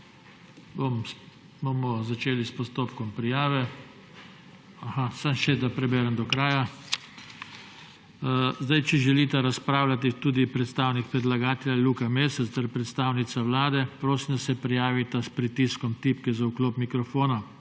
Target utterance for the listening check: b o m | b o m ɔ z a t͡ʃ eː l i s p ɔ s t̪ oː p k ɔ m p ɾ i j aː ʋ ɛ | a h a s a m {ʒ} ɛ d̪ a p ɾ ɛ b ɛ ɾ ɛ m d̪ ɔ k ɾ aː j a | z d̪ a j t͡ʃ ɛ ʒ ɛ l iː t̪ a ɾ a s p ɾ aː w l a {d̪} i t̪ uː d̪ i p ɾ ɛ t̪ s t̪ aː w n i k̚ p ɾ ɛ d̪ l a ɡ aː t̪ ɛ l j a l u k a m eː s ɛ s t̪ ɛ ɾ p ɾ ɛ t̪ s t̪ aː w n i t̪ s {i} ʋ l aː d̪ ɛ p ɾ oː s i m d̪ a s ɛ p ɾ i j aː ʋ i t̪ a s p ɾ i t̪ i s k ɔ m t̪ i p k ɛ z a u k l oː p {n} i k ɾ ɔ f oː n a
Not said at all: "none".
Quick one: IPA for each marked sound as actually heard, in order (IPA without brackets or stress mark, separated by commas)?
ʃ, t̪, a, m